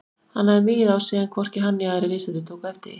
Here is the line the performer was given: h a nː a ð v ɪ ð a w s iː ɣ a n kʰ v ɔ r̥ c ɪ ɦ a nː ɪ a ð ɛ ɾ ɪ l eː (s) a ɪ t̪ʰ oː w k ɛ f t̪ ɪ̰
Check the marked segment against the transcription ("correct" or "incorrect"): correct